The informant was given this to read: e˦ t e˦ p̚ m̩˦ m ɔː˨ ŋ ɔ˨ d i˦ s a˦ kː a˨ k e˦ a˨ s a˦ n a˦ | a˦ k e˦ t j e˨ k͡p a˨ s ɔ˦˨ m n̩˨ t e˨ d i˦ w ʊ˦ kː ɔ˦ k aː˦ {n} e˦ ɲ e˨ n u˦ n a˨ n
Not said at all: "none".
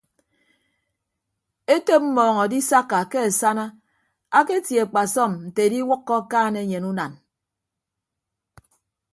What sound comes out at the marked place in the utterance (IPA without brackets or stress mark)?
n